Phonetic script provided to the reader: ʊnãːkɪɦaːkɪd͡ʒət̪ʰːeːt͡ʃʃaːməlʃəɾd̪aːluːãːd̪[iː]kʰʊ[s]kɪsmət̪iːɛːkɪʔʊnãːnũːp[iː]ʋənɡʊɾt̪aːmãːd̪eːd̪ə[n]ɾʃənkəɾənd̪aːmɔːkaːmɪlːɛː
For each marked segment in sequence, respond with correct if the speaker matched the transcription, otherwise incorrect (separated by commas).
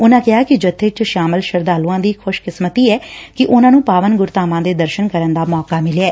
correct, incorrect, incorrect, incorrect